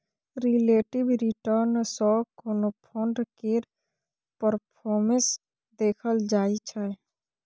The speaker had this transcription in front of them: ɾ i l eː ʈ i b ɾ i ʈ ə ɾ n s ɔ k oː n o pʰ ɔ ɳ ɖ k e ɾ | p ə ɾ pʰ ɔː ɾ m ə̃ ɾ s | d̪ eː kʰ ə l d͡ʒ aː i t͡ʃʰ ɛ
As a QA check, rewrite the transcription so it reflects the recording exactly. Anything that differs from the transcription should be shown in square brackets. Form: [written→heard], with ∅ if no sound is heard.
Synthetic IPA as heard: ɾ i l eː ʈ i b ɾ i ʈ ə ɾ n s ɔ k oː n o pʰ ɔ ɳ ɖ k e ɾ | p ə ɾ pʰ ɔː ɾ m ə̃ [ɾ→∅] s | d̪ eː kʰ ə l d͡ʒ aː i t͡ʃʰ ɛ